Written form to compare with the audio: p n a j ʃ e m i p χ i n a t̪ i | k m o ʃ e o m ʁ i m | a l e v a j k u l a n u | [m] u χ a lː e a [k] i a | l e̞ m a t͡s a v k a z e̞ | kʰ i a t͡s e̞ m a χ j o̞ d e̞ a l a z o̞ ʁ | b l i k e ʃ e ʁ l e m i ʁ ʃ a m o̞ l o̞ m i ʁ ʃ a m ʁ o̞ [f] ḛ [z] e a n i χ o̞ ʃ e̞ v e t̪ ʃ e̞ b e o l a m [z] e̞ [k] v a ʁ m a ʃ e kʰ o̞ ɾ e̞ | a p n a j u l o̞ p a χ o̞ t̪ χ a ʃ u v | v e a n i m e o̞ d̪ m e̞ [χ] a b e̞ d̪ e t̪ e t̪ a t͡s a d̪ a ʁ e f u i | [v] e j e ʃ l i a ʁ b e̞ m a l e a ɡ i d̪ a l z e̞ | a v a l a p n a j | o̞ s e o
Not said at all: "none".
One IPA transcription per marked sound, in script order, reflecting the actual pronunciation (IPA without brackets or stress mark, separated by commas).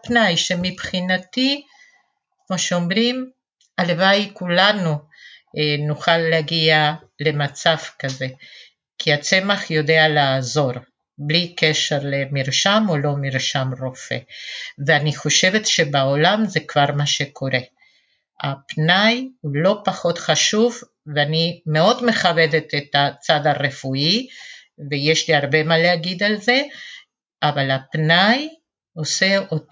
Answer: n, ɡ, f, v, z, k, χ, v